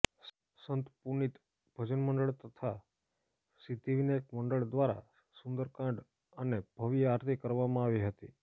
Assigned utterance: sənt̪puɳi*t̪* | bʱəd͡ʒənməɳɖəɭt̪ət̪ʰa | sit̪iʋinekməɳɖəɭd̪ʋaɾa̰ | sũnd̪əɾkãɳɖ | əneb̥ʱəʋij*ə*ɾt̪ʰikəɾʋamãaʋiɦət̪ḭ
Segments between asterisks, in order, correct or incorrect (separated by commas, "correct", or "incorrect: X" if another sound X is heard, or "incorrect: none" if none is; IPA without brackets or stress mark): correct, incorrect: a